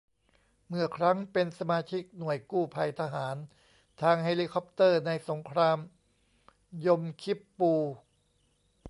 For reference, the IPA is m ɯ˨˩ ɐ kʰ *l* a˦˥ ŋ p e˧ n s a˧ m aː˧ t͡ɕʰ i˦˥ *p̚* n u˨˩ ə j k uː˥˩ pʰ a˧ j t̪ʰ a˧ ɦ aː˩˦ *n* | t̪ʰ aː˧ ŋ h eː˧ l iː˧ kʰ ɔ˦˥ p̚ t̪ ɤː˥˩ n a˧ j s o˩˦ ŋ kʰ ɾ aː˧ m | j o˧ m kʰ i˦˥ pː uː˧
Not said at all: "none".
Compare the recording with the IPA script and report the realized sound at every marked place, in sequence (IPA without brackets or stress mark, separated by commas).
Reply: ɾ, k̚, n